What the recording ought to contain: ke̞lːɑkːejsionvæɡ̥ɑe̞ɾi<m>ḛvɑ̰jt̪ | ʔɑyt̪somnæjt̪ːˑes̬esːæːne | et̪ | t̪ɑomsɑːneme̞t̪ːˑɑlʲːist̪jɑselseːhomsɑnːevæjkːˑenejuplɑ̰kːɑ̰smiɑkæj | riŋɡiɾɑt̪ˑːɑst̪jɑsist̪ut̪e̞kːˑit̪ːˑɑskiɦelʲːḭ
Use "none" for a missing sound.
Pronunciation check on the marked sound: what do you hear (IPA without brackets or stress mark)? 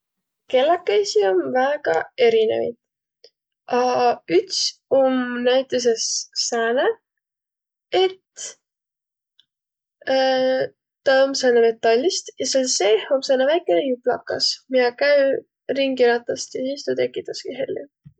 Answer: n